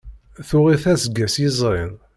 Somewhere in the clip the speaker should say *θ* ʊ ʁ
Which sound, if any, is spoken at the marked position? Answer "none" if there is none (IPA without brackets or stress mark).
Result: θ